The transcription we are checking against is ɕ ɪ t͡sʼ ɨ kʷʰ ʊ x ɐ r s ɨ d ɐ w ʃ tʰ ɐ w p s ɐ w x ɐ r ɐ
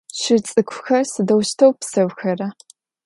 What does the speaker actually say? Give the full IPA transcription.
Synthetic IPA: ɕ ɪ t͡sʼ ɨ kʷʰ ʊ x ɐ r s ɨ d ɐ w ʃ tʰ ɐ w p s ɐ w x ɐ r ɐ